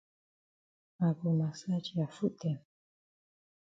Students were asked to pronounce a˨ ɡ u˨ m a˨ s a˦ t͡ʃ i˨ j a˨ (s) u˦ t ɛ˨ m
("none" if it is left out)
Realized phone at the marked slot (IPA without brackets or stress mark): f